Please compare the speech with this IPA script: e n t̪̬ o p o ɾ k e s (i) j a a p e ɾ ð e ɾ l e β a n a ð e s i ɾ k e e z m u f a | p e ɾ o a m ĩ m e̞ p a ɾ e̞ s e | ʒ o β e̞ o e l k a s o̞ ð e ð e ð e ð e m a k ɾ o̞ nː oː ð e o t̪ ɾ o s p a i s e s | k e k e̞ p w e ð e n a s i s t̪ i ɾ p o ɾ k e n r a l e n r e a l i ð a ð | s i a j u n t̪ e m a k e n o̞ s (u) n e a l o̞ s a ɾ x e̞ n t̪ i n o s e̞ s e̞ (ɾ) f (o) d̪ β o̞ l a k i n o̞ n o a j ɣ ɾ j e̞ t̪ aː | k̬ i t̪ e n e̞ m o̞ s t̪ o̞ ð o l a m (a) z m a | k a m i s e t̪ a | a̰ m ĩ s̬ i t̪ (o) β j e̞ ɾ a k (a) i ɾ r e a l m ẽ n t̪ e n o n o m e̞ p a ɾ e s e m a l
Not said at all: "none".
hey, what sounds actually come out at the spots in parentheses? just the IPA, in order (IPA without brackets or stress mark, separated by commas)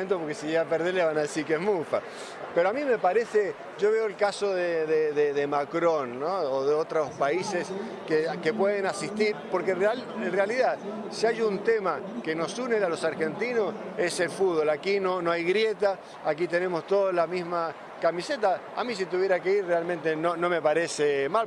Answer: i, u, l, u, i, u, e